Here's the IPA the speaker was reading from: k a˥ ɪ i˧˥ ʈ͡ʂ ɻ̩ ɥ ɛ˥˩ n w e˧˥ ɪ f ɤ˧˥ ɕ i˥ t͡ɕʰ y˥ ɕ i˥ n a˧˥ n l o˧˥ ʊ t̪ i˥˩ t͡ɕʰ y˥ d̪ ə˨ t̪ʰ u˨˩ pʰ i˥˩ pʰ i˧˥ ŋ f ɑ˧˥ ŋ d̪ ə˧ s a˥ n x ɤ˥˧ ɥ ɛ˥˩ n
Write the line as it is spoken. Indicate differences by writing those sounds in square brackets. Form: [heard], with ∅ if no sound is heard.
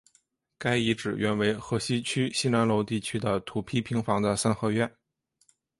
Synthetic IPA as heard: k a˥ ɪ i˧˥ ʈ͡ʂ ɻ̩ ɥ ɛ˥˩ n w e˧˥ ɪ [x] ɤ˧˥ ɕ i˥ t͡ɕʰ y˥ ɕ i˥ n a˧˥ n l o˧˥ ʊ t̪ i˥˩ t͡ɕʰ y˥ d̪ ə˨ t̪ʰ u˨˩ pʰ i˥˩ pʰ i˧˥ ŋ f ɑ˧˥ ŋ d̪ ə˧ s a˥ n x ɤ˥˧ ɥ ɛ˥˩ n